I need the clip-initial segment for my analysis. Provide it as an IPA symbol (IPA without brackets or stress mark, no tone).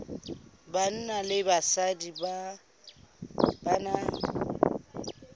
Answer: b